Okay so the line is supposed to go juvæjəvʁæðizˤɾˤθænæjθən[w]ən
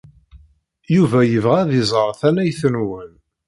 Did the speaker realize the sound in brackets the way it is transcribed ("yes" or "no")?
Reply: yes